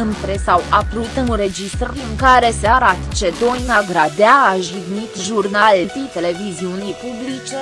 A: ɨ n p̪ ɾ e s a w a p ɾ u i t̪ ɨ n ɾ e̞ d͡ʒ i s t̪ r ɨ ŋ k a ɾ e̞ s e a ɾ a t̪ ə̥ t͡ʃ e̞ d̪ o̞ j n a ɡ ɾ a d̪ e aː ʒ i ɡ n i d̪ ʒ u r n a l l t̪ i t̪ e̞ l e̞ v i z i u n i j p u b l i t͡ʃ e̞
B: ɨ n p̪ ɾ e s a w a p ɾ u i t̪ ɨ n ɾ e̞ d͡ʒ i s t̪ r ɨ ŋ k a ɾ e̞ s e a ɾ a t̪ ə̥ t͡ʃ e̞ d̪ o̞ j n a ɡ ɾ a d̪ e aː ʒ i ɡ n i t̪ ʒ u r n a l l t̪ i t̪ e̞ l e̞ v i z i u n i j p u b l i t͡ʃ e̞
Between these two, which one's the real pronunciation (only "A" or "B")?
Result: B